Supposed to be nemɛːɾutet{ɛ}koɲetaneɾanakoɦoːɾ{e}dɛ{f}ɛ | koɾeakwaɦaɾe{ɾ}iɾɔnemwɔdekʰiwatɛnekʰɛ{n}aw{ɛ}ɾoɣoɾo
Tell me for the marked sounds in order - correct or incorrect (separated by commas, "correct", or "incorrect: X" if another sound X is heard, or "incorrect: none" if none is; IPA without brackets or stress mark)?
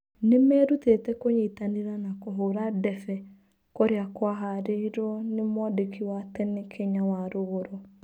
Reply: correct, incorrect: a, correct, incorrect: none, incorrect: ɲ, incorrect: a